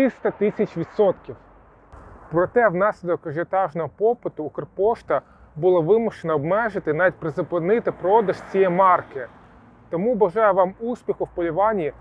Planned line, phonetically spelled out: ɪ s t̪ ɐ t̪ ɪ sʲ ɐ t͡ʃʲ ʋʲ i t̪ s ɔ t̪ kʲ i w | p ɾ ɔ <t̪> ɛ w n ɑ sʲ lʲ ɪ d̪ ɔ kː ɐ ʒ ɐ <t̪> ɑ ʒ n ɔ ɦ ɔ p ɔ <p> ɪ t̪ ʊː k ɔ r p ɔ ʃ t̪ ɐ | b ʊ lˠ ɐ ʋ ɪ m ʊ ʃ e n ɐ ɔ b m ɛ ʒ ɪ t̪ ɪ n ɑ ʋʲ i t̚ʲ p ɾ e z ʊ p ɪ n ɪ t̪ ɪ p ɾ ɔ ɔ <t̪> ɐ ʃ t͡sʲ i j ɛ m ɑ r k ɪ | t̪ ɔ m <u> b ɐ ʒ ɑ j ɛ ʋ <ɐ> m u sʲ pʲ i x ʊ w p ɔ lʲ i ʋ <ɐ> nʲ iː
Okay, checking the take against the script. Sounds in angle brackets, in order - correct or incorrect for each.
correct, correct, correct, incorrect: d̪, correct, incorrect: ɑ, incorrect: ɑ

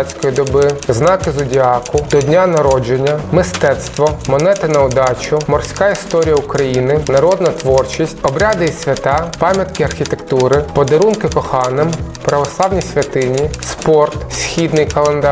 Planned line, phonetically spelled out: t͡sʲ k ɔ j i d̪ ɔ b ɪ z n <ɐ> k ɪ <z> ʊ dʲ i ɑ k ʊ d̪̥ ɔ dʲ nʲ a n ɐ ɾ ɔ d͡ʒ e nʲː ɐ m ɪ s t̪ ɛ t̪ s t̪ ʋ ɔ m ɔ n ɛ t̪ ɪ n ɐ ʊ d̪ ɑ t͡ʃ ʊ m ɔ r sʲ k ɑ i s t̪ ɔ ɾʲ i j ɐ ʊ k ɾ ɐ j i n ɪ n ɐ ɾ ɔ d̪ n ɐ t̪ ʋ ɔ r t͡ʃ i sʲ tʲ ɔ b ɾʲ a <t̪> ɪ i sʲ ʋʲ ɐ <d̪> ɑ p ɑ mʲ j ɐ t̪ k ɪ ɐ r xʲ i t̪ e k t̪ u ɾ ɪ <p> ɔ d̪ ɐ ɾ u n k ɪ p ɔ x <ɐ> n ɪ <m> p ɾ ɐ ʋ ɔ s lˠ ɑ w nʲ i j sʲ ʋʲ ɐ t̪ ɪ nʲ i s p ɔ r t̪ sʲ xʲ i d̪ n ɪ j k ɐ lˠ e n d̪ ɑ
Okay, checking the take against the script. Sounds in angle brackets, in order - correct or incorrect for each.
incorrect: ɑ, correct, incorrect: d̪, incorrect: t̪, correct, incorrect: ɑ, correct

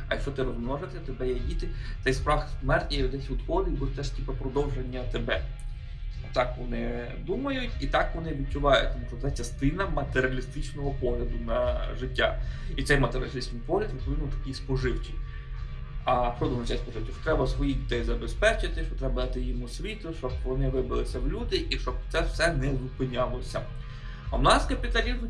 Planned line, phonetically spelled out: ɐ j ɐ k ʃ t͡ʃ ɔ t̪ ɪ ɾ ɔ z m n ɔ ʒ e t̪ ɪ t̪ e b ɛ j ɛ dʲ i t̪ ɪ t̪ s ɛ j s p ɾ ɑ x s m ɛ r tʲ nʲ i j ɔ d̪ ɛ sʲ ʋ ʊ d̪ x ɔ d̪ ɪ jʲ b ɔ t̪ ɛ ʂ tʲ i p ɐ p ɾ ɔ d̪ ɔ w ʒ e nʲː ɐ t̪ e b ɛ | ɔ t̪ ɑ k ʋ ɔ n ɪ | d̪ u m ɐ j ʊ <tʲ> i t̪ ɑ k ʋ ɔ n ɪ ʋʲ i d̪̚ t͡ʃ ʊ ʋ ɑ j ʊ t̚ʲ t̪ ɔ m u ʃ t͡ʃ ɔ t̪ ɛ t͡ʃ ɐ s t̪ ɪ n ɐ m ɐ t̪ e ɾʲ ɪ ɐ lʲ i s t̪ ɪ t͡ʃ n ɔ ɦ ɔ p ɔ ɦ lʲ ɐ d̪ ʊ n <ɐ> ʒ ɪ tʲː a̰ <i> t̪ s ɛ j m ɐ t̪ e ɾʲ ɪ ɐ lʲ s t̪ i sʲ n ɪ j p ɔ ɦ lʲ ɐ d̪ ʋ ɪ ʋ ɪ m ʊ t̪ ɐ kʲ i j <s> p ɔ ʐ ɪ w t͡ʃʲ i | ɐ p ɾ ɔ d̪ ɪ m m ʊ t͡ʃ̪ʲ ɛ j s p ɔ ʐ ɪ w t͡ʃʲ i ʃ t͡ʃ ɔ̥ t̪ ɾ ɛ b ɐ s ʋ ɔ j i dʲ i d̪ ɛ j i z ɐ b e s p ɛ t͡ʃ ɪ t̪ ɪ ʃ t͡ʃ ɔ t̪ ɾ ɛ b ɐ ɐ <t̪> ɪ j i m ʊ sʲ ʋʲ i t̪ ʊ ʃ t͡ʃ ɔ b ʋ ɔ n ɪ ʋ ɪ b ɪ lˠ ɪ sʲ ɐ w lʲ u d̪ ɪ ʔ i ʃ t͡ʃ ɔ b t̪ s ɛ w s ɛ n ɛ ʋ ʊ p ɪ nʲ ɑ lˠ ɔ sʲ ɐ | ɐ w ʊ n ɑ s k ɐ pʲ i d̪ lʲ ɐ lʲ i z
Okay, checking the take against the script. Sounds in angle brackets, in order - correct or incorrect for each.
correct, correct, correct, correct, correct

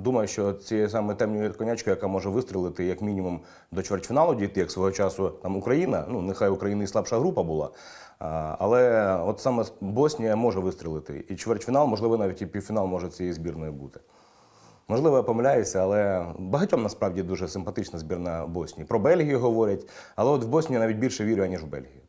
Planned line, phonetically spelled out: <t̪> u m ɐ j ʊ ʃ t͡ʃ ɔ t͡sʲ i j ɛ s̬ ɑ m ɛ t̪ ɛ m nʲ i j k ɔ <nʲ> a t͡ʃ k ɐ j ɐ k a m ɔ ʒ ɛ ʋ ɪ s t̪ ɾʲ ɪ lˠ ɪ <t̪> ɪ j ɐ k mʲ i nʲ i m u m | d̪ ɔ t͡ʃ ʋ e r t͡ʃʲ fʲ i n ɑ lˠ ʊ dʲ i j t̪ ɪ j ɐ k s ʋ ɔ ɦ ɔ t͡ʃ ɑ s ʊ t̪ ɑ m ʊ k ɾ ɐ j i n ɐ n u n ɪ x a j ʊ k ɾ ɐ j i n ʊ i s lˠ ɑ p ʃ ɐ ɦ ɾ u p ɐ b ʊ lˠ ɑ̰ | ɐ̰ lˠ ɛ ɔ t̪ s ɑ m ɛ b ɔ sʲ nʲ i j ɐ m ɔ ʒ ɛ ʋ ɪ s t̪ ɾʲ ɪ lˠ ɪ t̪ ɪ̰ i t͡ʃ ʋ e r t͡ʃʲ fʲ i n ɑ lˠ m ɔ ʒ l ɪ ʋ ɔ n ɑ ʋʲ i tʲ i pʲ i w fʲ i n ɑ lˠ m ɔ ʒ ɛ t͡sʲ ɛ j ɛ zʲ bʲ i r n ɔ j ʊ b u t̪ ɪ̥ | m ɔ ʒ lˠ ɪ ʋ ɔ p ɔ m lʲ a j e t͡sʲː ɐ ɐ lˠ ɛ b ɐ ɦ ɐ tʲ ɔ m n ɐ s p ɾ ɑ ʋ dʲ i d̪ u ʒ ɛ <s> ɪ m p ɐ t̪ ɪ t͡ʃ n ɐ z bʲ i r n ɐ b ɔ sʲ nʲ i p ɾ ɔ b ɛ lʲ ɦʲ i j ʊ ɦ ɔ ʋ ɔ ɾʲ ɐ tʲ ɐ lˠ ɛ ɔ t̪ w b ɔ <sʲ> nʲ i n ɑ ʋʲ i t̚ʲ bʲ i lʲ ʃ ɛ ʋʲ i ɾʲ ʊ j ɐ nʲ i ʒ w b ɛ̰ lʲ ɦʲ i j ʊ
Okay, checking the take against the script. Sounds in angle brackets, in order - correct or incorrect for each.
incorrect: d̪, correct, correct, correct, correct

